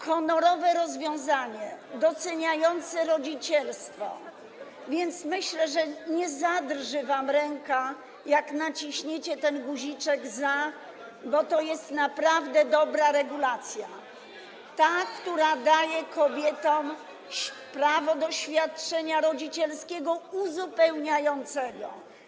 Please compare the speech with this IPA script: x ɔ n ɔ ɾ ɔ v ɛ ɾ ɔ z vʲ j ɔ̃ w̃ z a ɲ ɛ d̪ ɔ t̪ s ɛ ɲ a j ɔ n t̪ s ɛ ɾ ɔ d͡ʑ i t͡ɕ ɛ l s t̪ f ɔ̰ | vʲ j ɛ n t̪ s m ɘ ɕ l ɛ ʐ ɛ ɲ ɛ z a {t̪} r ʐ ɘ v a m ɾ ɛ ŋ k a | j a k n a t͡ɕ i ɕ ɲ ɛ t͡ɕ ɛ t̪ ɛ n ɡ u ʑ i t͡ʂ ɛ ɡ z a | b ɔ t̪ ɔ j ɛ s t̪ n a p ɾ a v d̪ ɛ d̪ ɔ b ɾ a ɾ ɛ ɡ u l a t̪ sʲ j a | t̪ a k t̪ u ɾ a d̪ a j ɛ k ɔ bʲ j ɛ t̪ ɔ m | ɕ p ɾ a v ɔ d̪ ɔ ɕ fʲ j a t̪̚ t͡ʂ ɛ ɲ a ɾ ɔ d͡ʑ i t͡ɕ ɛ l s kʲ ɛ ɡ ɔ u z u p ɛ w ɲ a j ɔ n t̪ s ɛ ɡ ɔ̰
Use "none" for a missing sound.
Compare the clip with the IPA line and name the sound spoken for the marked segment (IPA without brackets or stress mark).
d̪